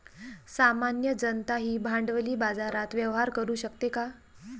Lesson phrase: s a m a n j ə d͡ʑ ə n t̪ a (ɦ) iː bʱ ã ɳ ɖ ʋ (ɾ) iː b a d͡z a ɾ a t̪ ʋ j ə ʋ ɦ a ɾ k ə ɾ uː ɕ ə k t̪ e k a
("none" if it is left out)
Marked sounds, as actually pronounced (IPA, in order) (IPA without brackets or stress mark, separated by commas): ɦ, l